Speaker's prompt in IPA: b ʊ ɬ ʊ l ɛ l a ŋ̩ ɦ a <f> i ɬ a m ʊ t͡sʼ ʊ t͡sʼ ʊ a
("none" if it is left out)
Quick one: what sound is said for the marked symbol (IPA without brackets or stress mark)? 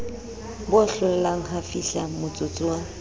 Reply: f